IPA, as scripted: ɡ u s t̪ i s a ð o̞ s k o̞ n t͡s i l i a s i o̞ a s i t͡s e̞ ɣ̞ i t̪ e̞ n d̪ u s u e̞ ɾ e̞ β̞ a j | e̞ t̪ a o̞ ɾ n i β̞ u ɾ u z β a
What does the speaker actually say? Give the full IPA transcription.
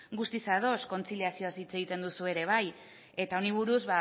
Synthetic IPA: ɡ u s t̪ i s a ð o̞ s k o̞ n t͡s i l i a s i o̞ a s i t͡s e̞ ɣ̞ i t̪ e̞ n d̪ u s u e̞ ɾ e̞ β̞ a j | e̞ t̪ a o̞ n i β̞ u ɾ u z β a